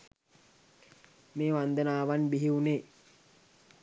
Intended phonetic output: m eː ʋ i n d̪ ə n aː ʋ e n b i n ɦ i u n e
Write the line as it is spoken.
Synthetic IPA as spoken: m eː ʋ a n d̪ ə n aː ʋ a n b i ɦ i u n e